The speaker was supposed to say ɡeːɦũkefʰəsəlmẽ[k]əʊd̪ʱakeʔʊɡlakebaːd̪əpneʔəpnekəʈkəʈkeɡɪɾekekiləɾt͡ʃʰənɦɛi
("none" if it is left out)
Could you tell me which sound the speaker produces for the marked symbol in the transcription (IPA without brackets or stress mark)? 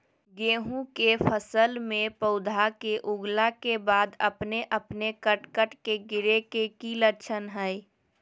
p